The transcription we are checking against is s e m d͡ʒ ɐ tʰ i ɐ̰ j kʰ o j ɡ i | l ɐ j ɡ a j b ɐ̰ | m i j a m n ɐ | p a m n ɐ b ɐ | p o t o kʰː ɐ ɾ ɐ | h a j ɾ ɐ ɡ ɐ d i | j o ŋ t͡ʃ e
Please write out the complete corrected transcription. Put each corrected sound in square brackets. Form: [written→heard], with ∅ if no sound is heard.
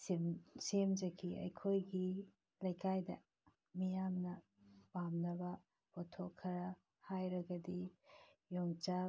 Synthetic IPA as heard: s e m d͡ʒ ɐ [tʰ→kʰ] i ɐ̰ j kʰ o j ɡ i | l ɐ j [ɡ→k] a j [b→d] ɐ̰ | m i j a m n ɐ | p a m n ɐ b ɐ | p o [t→tʰ] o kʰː ɐ ɾ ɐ | h a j ɾ ɐ ɡ ɐ d i | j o ŋ t͡ʃ [e→a]